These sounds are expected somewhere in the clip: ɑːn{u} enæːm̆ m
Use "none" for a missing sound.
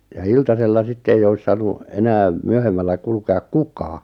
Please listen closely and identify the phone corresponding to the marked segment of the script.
u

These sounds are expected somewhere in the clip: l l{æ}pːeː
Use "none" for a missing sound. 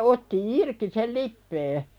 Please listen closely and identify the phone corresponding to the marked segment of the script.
i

